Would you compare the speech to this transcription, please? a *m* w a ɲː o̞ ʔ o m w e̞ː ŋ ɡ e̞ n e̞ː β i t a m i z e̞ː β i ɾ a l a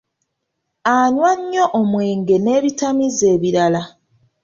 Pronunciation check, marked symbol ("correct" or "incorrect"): incorrect